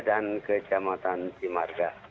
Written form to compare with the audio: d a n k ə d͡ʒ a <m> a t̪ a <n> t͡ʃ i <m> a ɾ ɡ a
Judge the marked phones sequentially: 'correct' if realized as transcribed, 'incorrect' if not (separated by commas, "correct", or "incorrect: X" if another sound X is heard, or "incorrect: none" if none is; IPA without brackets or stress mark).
correct, correct, correct